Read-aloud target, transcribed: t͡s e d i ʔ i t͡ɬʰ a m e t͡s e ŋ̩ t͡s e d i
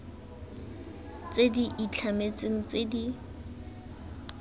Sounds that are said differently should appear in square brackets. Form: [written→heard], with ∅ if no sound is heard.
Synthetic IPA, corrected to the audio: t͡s e d i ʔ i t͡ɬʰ a m e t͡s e ŋ̩ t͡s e d i